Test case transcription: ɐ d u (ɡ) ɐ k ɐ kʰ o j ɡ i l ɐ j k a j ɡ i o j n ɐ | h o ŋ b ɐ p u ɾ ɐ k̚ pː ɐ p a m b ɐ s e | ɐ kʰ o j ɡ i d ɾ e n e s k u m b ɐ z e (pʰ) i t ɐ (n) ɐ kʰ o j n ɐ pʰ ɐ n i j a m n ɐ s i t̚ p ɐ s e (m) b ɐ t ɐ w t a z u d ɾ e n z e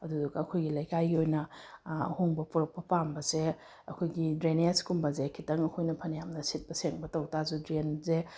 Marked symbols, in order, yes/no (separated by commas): no, no, no, no